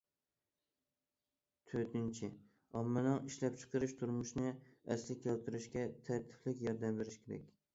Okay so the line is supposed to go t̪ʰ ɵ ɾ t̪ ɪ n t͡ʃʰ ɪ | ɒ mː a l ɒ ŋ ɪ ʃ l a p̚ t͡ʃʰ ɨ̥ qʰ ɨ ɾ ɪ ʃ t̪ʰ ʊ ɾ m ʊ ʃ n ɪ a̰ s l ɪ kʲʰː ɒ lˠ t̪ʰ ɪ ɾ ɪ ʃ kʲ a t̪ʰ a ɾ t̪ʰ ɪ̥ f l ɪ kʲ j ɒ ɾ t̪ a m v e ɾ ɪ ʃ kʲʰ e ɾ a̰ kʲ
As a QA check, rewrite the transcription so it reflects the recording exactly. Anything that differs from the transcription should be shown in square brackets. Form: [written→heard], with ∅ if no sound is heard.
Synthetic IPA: t̪ʰ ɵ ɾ t̪ ɪ n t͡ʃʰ ɪ | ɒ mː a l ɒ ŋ ɪ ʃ l a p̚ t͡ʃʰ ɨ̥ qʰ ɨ ɾ ɪ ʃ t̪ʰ ʊ ɾ m ʊ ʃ n ɪ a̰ s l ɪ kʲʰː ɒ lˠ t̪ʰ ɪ ɾ ɪ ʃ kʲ a t̪ʰ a ɾ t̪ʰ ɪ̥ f l ɪ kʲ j ɒ ɾ [t̪→d̪] a m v e ɾ ɪ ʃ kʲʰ e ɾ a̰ kʲ